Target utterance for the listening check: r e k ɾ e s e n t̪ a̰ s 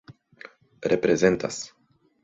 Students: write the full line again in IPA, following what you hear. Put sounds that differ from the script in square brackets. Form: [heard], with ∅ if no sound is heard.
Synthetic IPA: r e [p] ɾ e [z] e n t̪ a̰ s

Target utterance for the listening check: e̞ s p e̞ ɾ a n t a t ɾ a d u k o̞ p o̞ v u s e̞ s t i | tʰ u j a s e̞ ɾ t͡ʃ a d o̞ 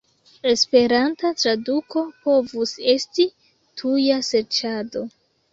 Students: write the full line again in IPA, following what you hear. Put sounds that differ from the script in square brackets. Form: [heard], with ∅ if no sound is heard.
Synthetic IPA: e̞ s p e̞ ɾ a n t a t ɾ a d u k o̞ p o̞ v u s e̞ s t i | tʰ u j a s e̞ ɾ t͡ʃ a d o̞

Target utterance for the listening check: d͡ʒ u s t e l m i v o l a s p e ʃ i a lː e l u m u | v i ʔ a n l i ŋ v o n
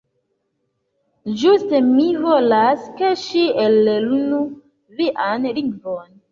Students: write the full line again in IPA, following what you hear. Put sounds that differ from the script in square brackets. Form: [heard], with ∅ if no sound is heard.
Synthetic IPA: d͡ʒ u s t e [∅] m i v o l a s [k] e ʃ i [e] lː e l u [n] u | v i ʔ a n l i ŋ v o n

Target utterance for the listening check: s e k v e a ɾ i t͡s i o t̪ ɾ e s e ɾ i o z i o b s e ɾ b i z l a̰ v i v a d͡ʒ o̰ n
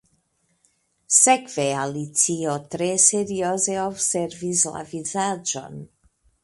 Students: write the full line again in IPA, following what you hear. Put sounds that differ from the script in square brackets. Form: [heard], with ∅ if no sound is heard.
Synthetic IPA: s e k v e a [l] i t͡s i o t̪ ɾ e s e ɾ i o z [e] o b s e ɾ [v] i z l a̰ v i [z] a d͡ʒ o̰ n

